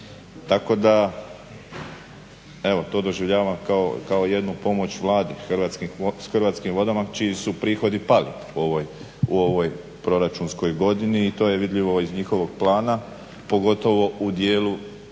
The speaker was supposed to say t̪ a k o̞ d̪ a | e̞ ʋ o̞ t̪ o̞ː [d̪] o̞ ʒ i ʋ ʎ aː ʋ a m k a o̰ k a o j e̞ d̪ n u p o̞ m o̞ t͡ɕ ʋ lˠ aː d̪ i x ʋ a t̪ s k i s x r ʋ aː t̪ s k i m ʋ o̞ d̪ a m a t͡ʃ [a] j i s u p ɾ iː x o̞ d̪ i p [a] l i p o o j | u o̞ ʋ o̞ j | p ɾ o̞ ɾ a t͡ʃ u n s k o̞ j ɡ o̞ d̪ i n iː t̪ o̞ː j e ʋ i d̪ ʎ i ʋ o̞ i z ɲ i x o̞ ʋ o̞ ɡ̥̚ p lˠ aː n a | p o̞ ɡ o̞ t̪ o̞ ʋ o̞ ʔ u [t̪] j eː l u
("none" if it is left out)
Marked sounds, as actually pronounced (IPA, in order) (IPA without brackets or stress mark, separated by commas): d̪, i, a, d̪